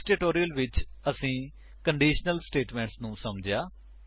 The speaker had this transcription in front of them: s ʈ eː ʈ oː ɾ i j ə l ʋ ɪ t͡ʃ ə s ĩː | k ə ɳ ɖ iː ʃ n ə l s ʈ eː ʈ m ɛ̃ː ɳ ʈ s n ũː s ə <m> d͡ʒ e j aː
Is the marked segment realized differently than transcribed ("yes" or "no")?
no